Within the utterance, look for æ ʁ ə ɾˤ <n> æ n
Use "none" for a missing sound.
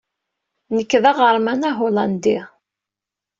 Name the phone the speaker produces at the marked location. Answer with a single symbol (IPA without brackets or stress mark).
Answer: m